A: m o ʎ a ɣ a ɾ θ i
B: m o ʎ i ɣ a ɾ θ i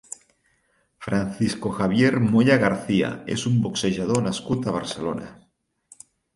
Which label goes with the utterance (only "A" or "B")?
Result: A